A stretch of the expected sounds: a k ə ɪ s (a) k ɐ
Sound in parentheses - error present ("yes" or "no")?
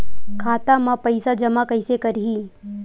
yes